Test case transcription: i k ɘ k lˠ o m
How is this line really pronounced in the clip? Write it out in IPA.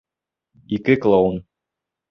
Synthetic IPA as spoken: i k ɘ k lˠ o n